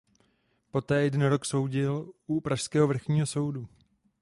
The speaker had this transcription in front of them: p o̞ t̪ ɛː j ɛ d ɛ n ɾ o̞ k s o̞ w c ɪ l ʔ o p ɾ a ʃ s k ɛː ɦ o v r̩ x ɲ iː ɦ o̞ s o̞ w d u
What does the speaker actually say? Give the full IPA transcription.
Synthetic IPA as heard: p o̞ t̪ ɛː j ɛ d ɛ n ɾ o̞ k s o̞ w ɟ ɪ l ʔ u p ɾ a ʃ s k ɛː ɦ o v r̩ x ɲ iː ɦ o̞ s o̞ w d u